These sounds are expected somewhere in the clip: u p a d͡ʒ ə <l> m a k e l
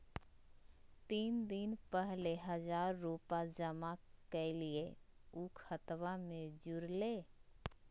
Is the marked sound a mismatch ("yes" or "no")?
yes